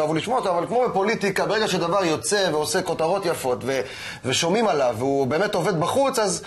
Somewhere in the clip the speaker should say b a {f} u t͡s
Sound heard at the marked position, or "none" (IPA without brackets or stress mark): χ